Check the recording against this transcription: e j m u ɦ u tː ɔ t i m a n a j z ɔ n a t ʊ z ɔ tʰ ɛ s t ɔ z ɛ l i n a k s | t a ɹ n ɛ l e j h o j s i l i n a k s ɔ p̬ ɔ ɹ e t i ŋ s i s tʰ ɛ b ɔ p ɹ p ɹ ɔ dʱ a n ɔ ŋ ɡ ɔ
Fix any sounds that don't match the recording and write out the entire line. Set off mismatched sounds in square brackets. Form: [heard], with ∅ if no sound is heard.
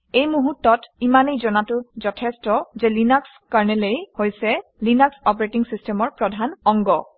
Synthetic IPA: e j m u ɦ u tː ɔ t i m a n [e] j z ɔ n a t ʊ z ɔ tʰ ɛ s t ɔ z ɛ l i n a k s | [k] a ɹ n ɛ l e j h o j s [ɛ] l i n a k s ɔ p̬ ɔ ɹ e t i ŋ s i s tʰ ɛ [m] ɔ [∅] ɹ p ɹ ɔ dʱ a n ɔ ŋ ɡ ɔ